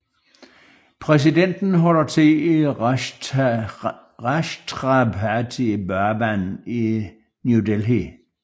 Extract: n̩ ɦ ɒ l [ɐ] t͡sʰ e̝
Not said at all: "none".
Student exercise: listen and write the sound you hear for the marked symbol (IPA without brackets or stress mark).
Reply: ɐ